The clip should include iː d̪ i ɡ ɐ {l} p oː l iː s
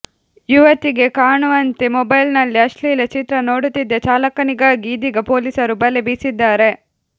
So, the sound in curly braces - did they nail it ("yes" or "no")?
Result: no